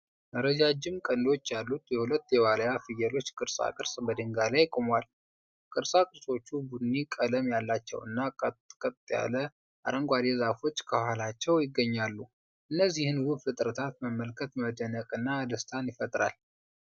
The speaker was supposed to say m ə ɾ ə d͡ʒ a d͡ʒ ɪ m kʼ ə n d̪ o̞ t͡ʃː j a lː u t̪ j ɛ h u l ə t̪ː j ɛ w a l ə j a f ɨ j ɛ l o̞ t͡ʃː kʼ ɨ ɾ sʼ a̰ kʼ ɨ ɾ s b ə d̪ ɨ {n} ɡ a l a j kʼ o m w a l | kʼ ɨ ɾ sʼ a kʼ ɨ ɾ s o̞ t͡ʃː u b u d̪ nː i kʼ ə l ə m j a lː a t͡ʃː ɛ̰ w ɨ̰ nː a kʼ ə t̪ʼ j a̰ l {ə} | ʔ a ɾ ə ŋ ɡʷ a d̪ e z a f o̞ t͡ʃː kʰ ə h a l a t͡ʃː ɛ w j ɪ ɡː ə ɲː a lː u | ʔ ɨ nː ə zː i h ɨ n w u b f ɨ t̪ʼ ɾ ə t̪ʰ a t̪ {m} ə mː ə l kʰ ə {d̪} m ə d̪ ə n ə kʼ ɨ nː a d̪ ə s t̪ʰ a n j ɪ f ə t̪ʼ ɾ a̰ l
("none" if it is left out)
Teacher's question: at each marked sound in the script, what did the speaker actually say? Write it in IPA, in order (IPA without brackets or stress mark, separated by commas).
ŋ, ə, m, t̪